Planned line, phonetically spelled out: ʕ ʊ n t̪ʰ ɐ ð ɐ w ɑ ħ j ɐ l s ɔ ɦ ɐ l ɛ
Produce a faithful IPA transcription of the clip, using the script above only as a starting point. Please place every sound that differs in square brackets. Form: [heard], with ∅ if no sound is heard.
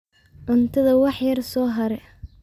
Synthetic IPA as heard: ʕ ʊ n t̪ʰ ɐ ð ɐ w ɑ ħ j ɐ [r] s [ɔː] ɦ ɐ [ɾ] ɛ